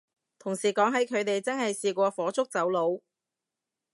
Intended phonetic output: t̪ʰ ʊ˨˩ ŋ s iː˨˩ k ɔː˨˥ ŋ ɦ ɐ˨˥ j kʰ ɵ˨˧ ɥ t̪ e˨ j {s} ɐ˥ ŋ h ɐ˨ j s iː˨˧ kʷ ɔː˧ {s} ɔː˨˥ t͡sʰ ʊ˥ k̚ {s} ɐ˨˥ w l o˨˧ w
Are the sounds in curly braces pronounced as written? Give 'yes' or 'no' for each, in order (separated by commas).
no, no, no